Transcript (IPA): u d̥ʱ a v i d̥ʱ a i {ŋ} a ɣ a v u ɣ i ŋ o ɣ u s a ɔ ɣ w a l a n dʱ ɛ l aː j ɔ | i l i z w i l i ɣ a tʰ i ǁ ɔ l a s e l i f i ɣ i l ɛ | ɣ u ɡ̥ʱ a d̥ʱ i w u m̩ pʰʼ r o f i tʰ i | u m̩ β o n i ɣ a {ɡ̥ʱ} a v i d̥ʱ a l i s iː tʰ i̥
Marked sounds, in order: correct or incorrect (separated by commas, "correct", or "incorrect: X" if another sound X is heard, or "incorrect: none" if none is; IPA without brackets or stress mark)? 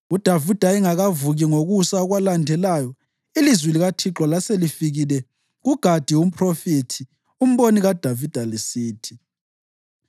correct, incorrect: d̥ʱ